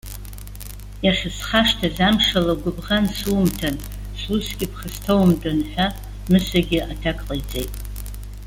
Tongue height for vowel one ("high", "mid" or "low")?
low